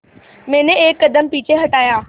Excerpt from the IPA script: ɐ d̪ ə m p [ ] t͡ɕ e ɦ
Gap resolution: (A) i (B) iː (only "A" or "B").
B